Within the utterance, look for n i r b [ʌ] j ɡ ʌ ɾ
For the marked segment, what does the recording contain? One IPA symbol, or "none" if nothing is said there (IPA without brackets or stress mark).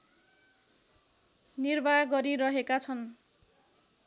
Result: a